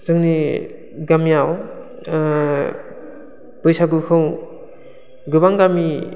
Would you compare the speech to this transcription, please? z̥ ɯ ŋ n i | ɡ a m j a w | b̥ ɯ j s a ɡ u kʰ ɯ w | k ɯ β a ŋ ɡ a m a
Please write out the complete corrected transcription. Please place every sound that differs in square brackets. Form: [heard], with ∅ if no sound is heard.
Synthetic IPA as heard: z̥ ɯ ŋ n i | ɡ a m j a w | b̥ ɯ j s a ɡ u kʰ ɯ w | [ɡ] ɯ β a ŋ ɡ a m [i]